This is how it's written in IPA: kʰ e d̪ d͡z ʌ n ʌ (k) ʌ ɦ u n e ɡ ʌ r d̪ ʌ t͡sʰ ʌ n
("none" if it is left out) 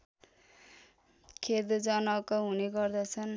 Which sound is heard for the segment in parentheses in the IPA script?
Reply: k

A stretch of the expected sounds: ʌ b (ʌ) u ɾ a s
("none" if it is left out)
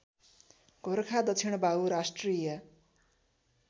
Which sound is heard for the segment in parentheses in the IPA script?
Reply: a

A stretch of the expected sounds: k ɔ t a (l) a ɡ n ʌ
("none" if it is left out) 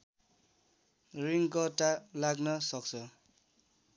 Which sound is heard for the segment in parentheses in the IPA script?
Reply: l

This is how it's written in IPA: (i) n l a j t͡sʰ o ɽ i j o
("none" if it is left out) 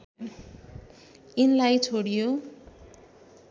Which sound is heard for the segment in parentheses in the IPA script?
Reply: i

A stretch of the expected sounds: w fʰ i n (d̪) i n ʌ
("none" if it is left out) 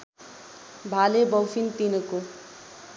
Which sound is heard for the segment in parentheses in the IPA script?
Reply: t̪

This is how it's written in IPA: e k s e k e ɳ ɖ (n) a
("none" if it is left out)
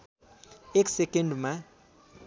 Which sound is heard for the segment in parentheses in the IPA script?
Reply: m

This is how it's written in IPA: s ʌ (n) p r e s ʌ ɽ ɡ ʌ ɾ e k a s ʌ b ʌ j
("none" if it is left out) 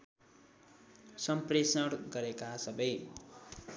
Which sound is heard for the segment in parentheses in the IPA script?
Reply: m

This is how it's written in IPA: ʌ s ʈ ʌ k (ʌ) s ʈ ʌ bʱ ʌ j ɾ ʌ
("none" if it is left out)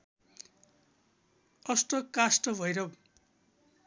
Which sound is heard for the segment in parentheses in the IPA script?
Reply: a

